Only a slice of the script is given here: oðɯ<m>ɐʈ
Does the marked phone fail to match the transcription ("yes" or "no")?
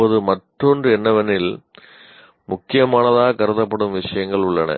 no